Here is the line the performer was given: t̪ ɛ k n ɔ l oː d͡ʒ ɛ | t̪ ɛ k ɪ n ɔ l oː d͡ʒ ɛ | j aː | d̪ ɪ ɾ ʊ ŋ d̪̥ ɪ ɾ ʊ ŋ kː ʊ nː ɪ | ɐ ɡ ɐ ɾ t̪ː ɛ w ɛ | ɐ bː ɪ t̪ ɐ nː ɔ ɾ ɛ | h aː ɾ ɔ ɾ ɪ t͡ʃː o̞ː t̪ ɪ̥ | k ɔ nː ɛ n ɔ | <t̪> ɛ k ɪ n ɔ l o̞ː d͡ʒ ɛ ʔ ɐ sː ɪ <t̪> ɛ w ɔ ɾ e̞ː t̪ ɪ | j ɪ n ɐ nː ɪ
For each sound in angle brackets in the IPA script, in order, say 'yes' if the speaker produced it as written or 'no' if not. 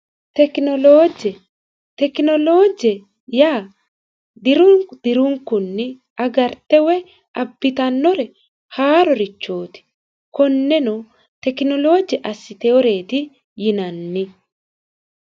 yes, yes

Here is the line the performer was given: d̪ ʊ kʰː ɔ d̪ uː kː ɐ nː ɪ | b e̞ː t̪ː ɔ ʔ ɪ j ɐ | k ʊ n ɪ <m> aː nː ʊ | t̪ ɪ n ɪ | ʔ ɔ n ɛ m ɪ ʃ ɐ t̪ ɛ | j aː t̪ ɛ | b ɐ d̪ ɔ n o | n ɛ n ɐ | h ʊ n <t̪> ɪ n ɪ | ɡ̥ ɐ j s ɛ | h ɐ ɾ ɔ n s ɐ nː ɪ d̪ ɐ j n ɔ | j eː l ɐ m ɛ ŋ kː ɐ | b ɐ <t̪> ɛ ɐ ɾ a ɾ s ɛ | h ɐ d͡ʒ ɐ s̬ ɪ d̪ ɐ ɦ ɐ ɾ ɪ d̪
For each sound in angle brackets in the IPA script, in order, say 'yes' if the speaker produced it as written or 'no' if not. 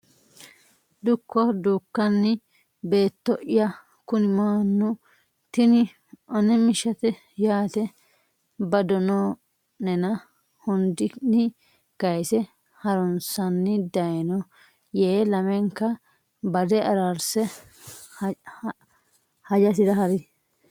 yes, no, no

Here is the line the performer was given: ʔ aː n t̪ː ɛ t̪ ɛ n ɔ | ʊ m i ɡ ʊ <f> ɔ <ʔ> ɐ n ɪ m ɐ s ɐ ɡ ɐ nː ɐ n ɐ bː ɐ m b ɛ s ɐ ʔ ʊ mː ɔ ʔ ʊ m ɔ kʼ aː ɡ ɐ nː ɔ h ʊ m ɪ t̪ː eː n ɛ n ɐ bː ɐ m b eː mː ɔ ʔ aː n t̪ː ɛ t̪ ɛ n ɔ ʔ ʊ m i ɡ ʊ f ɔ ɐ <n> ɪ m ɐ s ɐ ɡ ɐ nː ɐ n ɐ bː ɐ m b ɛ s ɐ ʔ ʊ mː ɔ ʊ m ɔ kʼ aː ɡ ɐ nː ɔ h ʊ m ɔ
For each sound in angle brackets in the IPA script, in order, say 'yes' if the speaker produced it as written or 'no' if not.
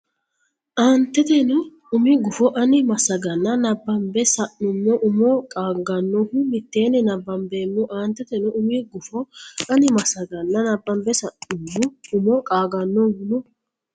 yes, yes, yes

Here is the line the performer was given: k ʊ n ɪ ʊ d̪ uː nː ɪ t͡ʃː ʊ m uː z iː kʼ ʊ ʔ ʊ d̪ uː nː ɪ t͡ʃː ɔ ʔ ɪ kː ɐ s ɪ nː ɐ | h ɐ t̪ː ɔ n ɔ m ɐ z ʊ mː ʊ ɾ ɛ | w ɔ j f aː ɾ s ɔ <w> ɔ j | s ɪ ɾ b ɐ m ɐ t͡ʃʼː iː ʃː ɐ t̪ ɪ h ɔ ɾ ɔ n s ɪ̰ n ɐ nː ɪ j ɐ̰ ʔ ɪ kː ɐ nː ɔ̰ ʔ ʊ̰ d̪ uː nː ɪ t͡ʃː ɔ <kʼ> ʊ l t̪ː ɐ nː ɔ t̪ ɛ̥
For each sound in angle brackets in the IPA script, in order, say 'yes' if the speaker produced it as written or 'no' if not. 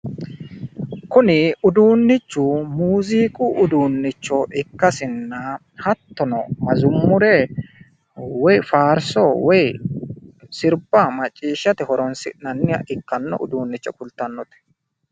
yes, no

